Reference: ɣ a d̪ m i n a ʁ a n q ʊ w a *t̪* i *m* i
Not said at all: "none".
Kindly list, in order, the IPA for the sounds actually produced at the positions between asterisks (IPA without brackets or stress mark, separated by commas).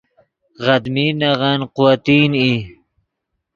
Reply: t̪, n